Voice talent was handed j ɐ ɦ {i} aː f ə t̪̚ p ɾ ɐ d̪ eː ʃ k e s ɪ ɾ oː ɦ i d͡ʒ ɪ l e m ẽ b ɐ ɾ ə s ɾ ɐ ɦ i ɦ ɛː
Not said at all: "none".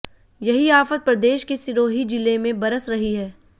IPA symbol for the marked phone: i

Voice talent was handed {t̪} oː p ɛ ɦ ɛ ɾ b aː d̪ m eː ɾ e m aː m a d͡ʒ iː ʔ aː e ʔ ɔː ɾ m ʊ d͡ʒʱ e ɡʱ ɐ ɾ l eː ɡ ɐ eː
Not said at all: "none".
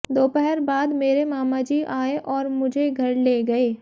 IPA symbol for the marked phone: d̪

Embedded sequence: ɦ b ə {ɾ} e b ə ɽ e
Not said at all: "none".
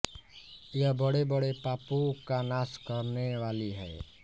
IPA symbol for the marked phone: ɽ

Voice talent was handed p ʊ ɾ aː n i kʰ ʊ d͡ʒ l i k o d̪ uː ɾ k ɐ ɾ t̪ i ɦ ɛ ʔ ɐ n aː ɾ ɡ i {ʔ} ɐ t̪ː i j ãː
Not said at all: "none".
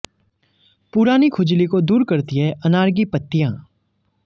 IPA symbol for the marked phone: p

